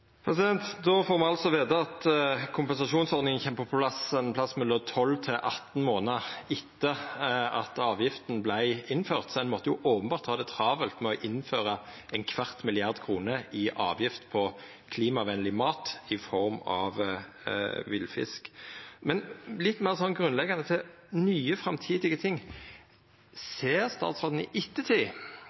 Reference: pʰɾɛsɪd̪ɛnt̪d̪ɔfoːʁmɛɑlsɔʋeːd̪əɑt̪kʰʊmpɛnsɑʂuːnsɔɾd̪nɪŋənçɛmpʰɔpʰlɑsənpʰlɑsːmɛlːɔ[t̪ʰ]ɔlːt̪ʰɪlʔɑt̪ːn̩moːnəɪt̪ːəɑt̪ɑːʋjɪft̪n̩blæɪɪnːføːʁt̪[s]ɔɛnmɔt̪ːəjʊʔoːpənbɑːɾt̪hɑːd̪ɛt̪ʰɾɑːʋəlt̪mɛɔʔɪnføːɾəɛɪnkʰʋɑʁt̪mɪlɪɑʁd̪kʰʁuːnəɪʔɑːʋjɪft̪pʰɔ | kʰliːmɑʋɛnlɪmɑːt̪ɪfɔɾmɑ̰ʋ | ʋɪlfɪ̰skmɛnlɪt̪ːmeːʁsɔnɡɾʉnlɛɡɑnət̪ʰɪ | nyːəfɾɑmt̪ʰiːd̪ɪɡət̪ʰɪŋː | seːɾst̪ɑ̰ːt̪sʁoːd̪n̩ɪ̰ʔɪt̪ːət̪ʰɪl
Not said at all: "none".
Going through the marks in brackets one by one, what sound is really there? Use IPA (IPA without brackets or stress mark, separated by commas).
t̪ʰ, s